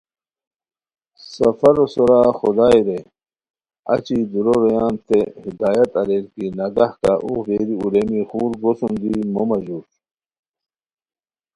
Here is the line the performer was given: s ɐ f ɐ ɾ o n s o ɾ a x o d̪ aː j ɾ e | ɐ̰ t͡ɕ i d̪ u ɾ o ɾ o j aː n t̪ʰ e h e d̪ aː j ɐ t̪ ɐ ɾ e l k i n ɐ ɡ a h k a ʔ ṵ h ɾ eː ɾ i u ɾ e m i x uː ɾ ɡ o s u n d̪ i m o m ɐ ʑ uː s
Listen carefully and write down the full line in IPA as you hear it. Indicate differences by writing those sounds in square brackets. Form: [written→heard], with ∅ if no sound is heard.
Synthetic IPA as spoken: s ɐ f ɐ ɾ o [n→∅] s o ɾ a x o d̪ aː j ɾ e | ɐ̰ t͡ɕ i d̪ u ɾ o ɾ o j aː n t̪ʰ e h [e→i] d̪ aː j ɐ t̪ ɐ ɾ e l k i n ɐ ɡ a h k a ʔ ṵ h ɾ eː ɾ i u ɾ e m i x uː ɾ ɡ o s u n d̪ i m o m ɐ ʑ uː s